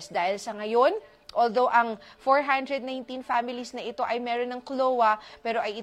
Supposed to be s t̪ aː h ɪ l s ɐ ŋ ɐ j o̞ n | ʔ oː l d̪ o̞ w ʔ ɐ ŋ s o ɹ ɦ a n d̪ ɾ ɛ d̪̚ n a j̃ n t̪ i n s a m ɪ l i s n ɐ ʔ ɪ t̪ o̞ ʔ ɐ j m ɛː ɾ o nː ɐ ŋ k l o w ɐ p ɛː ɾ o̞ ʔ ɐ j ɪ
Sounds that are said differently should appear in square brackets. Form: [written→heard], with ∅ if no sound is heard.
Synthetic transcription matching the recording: s [t̪→d̪] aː h ɪ l s ɐ ŋ ɐ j o̞ n | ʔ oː l d̪ o̞ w ʔ ɐ ŋ [s→f] o ɹ ɦ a n d̪ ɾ ɛ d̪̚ n a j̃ n t̪ i n [s→f] a m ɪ l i s n ɐ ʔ ɪ t̪ o̞ ʔ ɐ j m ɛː ɾ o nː ɐ ŋ k l o w ɐ p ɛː ɾ o̞ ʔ ɐ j ɪ